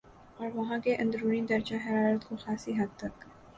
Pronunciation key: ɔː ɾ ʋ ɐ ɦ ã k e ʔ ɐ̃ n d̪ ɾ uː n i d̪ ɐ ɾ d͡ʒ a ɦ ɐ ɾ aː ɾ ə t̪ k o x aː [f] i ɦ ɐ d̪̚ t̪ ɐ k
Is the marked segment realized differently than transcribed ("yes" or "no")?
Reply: yes